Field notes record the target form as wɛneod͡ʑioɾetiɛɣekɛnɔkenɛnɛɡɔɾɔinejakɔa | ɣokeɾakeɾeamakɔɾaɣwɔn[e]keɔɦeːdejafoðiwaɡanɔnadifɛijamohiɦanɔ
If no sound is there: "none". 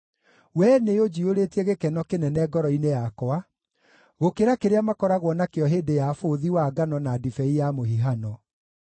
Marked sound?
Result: a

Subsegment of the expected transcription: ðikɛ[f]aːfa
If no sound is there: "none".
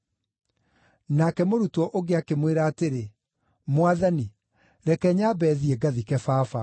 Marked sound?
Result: f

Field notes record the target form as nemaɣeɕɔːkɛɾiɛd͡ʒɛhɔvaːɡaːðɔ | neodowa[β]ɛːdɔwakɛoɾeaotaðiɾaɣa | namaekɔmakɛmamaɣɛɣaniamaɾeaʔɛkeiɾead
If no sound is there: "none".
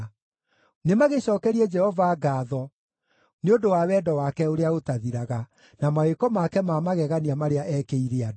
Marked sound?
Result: w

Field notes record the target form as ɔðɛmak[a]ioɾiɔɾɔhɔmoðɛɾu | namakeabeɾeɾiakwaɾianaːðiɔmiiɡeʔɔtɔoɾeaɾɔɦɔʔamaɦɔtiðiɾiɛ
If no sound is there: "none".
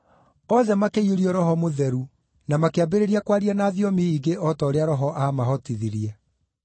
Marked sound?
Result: e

